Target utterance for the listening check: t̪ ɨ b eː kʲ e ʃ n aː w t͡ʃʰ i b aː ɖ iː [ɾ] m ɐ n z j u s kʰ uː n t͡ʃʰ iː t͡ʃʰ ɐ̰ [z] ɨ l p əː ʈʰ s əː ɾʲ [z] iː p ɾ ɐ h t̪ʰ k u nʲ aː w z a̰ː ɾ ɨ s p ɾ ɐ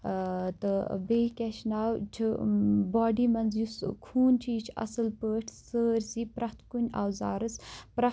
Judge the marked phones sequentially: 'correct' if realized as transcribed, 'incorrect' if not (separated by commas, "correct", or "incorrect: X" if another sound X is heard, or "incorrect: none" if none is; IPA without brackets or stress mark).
incorrect: none, incorrect: s, incorrect: s